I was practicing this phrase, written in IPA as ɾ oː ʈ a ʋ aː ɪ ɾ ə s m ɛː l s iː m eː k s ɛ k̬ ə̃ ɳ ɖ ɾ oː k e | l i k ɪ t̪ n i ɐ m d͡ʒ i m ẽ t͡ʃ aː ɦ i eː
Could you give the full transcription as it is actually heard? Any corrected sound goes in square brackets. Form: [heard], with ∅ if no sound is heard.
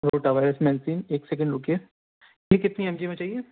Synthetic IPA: ɾ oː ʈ a ʋ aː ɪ ɾ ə s m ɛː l s iː [n] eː k s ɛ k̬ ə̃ ɳ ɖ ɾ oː k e | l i k ɪ t̪ n i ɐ m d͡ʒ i m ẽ t͡ʃ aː ɦ i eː